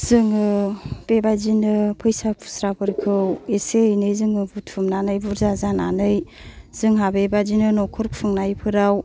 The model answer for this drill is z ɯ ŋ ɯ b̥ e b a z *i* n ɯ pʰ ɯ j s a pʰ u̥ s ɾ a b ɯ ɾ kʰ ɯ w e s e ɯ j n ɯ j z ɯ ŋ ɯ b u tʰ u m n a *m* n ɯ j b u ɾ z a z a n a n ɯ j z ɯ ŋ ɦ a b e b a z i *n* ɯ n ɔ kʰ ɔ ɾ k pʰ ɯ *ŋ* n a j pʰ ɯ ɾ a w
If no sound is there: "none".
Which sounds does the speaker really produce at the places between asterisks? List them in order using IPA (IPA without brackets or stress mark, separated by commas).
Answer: i, none, n, ŋ